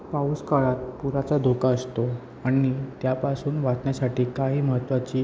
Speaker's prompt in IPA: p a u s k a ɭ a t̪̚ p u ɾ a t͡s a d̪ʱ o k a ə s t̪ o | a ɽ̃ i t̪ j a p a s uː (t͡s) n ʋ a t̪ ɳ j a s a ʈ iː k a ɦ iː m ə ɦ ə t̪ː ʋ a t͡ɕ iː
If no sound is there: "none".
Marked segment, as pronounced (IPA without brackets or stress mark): none